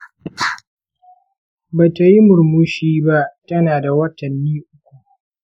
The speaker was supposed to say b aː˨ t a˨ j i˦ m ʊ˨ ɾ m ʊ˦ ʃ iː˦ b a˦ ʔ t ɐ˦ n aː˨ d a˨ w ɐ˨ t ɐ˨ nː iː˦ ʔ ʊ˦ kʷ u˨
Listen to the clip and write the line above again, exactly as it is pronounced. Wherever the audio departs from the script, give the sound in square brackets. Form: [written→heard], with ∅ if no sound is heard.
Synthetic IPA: b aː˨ t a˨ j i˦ m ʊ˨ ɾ m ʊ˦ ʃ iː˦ b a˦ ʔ t ɐ˦ n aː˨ d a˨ w [ɐ˨→ɐ˦] t ɐ˨ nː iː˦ ʔ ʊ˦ kʷ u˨